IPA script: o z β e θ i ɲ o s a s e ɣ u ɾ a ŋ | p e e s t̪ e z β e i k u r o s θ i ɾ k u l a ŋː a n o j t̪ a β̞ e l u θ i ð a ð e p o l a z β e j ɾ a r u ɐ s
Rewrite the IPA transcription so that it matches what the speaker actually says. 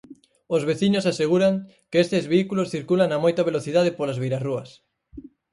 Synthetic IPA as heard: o z β e θ i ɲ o s a s e ɣ u ɾ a ŋ | k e e s t̪ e z β e i k u l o s θ i ɾ k u l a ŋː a m o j t̪ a β̞ e l o θ i ð a ð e p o l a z β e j ɾ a r u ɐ s